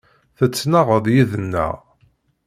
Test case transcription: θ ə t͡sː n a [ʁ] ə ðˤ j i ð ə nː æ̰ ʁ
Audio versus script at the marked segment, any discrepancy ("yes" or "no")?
no